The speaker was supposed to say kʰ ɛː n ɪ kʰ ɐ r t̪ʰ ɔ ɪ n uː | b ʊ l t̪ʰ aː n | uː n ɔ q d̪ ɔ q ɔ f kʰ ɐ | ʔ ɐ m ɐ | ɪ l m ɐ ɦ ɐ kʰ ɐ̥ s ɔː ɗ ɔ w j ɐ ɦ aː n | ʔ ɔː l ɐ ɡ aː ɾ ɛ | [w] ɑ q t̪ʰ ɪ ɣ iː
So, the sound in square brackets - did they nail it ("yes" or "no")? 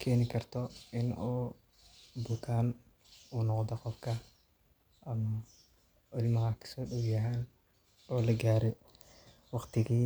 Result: yes